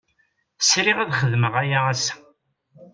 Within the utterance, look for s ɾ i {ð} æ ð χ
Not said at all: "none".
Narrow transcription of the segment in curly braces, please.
ʁ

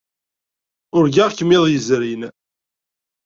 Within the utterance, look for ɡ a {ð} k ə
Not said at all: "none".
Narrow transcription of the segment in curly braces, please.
ʁ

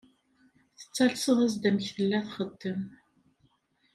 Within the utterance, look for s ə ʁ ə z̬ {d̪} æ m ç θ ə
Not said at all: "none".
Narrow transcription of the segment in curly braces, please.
d̪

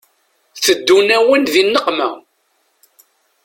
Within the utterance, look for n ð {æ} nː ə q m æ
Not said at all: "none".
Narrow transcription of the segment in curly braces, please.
i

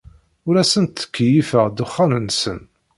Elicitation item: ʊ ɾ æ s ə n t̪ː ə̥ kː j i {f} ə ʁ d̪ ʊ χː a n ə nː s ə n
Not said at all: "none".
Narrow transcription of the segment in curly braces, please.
f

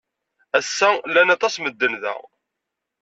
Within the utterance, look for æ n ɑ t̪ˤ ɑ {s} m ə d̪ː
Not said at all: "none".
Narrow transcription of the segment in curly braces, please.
s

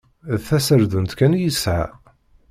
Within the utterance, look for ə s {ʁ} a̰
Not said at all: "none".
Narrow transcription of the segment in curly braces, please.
ʕ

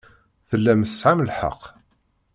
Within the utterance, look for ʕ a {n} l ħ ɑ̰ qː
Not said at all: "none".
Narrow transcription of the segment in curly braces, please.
m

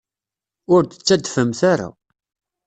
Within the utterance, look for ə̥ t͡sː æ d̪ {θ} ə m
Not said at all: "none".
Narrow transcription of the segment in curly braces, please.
f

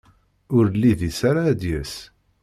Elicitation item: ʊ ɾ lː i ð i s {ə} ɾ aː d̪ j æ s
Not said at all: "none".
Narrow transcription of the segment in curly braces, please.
a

